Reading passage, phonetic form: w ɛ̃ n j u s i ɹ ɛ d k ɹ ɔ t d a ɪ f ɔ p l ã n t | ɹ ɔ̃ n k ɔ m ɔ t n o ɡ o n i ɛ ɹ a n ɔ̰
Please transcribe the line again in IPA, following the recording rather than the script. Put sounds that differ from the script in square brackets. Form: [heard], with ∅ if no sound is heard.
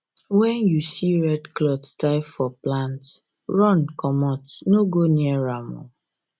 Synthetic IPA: w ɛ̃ n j u s i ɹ ɛ d k [l] ɔ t [t] a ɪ f ɔ p l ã n t | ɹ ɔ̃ n k ɔ m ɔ t n o ɡ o n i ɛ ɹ a [m] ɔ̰